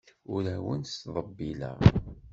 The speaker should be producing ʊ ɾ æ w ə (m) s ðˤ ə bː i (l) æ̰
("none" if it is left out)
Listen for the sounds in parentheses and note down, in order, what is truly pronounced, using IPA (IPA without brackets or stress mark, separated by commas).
n, l